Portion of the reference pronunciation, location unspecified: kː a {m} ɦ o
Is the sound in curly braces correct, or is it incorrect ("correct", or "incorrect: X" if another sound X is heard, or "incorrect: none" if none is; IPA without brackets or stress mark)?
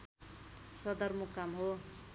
correct